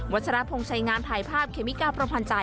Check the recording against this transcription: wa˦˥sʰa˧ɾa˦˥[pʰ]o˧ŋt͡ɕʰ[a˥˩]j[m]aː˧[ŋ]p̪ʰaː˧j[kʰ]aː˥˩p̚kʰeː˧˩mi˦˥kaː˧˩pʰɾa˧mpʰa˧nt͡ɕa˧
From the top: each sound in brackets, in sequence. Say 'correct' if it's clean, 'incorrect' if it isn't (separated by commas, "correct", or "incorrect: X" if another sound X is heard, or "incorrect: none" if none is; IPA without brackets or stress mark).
correct, incorrect: a˧, incorrect: ŋ, incorrect: n, incorrect: pʰ